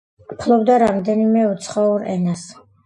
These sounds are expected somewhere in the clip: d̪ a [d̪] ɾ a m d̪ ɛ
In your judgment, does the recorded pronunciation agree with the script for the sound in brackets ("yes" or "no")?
no